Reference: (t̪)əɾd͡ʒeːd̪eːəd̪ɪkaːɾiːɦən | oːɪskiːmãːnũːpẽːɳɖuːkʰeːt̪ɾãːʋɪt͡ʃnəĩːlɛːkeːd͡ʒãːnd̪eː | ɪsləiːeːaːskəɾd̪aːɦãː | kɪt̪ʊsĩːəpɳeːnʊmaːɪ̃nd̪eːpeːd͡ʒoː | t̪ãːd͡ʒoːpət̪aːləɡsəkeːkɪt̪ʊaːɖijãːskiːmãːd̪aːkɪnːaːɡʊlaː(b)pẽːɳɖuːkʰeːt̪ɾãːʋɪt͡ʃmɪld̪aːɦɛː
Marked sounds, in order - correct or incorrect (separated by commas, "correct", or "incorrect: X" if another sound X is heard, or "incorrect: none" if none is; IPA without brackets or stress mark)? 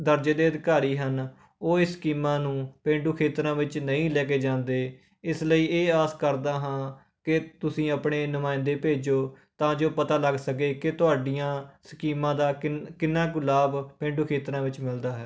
incorrect: d̪, correct